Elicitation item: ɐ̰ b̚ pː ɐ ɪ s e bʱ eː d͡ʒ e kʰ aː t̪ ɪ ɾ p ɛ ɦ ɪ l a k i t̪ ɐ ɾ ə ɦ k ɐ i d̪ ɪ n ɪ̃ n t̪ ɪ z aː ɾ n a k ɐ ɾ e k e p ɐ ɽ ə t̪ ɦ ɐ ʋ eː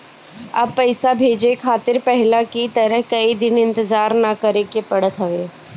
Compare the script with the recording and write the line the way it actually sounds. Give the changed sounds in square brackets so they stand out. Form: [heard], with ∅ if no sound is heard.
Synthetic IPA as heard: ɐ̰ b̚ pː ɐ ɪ s [a] bʱ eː d͡ʒ e kʰ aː t̪ ɪ ɾ p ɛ ɦ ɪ l a k i t̪ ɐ ɾ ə ɦ k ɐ i d̪ ɪ n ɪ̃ n t̪ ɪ z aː ɾ n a k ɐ ɾ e k e p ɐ ɽ ə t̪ ɦ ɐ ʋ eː